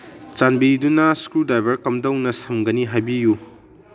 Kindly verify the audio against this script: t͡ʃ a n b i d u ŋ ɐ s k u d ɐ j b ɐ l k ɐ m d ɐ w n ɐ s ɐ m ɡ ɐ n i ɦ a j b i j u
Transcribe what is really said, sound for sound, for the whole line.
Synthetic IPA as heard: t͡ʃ a n b i d u n ɐ s k u d a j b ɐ ɾ k ɐ m d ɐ w n ɐ s ɐ m ɡ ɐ n i ɦ a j b i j u